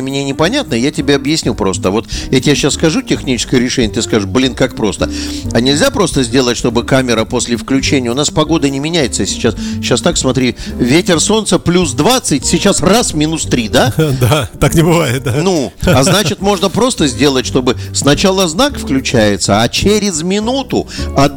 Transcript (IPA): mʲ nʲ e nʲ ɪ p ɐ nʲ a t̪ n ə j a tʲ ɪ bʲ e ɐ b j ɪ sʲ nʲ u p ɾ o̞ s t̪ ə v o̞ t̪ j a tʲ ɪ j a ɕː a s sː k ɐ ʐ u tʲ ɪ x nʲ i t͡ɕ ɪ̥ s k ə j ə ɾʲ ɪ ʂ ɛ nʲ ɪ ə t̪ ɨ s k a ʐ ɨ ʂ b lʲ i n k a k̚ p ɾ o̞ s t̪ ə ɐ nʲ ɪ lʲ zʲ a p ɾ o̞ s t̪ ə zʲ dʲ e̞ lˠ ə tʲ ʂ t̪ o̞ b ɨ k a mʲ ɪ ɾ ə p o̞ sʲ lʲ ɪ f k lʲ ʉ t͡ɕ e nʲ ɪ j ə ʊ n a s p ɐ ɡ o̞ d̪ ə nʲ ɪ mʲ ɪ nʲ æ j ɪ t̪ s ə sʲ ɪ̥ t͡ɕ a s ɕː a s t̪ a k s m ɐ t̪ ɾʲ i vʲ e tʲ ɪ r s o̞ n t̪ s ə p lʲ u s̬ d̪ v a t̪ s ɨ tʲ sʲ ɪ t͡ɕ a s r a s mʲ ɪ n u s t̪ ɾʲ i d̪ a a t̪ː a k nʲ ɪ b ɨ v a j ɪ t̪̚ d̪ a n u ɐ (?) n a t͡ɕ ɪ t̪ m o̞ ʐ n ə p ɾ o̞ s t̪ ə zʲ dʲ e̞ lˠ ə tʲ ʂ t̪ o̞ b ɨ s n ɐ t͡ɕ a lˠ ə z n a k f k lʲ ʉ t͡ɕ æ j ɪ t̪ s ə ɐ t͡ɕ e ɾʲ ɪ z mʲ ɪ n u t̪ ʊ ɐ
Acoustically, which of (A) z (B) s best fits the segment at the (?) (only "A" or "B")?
A